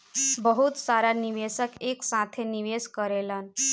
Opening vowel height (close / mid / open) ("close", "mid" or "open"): mid